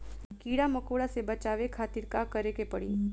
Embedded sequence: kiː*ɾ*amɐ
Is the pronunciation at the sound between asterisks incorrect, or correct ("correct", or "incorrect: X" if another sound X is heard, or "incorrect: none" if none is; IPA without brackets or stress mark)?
incorrect: ɽ